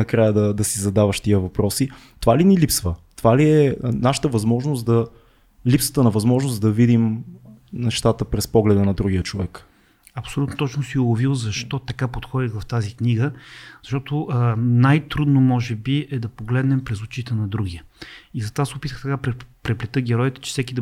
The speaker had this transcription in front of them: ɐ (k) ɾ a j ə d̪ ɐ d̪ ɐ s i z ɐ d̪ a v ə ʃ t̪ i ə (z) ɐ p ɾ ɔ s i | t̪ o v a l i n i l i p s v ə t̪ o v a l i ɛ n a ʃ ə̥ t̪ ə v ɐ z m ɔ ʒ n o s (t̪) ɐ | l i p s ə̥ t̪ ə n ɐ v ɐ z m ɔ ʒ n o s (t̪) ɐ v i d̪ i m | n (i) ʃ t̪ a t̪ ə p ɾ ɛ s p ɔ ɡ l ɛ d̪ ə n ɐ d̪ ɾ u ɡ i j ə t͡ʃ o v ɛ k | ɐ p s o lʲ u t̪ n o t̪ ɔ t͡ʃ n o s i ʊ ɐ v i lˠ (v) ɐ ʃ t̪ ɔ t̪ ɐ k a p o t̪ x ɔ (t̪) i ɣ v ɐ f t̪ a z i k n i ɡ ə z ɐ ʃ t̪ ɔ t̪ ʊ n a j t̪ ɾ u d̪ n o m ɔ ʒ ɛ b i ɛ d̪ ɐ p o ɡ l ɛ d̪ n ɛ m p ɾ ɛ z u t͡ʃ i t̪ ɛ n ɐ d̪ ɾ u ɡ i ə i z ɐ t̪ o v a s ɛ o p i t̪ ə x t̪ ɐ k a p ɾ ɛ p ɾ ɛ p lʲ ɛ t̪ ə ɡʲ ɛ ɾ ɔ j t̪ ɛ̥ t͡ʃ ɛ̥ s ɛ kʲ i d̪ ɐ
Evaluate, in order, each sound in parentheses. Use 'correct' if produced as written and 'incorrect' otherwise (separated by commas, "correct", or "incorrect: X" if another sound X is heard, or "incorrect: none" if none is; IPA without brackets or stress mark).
correct, incorrect: v, incorrect: d̪, incorrect: d̪, incorrect: ɛ, incorrect: z, incorrect: d̪